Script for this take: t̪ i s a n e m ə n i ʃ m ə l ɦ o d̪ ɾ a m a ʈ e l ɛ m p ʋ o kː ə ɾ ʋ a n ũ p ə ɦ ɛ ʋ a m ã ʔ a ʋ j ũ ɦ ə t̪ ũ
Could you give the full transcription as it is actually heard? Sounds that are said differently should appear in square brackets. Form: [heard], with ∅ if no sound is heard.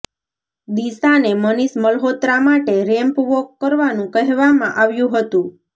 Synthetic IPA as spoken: [d̪] i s a n e m ə n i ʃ m ə l ɦ o [t̪] ɾ a m a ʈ e [ɾ] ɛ m p ʋ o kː ə ɾ ʋ a n ũ [k] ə ɦ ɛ ʋ a m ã ʔ a ʋ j ũ ɦ ə t̪ ũ